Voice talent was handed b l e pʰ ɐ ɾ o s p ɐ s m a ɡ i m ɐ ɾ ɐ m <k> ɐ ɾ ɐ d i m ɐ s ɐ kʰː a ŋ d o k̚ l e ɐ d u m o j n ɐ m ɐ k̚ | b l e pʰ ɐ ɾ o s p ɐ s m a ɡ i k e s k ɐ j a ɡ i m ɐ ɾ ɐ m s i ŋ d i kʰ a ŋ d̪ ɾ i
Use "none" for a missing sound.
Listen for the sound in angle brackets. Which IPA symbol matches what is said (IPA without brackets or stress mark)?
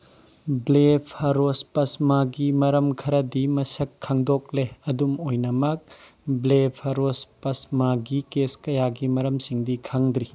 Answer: kʰ